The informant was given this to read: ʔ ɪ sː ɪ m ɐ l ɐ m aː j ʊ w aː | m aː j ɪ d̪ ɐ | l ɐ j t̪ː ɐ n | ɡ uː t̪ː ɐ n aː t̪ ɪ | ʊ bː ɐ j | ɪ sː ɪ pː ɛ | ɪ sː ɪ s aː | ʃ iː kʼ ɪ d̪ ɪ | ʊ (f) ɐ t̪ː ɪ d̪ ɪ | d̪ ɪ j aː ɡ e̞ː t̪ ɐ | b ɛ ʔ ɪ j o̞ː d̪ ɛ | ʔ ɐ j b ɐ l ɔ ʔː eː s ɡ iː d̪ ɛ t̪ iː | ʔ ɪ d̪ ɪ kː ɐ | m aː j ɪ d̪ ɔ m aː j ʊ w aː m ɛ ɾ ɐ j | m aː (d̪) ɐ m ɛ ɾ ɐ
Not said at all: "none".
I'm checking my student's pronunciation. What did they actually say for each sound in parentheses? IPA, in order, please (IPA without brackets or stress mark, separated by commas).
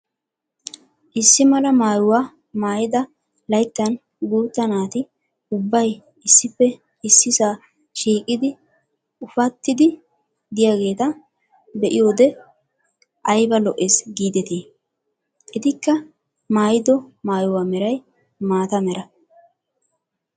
f, t̪